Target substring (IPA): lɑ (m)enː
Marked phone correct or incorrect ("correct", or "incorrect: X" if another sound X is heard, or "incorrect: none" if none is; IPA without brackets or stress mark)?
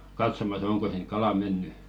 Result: correct